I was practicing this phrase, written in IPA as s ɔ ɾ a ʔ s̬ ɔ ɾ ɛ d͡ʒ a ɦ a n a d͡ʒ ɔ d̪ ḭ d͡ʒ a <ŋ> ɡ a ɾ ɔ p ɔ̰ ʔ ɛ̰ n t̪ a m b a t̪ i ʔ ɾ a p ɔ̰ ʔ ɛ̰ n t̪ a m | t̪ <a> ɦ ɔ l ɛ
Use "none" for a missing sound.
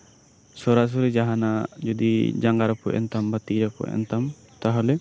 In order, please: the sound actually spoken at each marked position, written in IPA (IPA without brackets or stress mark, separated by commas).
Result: ŋ, a